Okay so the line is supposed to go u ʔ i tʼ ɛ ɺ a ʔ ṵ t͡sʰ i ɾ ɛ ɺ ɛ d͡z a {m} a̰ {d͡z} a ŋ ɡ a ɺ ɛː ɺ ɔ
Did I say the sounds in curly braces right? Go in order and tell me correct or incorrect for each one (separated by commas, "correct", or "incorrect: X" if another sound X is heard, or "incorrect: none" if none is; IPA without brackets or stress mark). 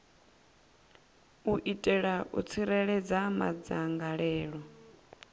correct, correct